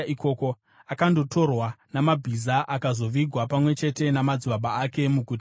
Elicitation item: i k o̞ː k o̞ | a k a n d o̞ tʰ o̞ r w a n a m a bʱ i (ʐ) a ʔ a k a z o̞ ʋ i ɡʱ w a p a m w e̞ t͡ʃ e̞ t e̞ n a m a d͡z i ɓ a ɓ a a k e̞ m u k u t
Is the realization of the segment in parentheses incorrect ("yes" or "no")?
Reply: yes